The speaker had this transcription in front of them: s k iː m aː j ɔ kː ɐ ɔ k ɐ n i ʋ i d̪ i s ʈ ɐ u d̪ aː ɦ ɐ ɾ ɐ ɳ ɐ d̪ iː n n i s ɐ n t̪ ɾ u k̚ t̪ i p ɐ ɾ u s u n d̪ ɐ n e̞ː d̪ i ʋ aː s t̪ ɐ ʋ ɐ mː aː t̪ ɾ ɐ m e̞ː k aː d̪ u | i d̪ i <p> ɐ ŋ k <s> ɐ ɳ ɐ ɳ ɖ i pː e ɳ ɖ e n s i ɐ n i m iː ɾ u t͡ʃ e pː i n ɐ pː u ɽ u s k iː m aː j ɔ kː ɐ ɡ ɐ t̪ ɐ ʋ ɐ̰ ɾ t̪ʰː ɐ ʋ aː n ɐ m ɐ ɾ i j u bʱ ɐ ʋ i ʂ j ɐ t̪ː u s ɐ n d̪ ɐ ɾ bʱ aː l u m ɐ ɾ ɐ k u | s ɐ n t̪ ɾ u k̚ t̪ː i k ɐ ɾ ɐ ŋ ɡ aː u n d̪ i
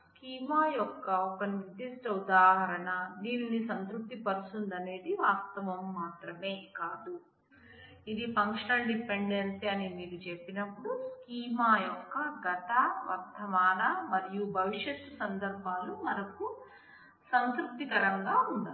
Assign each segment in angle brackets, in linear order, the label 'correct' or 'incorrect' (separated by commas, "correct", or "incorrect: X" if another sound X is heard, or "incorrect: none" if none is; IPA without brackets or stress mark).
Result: correct, incorrect: ʂ